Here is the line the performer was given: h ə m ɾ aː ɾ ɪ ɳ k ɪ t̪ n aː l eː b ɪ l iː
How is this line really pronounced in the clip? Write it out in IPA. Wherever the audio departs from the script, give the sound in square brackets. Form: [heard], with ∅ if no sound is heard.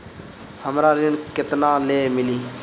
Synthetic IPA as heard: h ə m ɾ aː ɾ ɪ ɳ k ɪ t̪ n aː l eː [m] ɪ l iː